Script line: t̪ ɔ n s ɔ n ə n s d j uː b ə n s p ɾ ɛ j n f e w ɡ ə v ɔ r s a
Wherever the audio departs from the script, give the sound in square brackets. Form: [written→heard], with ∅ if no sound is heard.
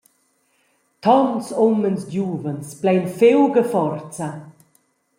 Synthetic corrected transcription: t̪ ɔ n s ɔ [n→m] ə n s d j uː [b→v] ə n s p [ɾ→l] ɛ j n f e w ɡ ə [v→f] ɔ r [s→t͡s] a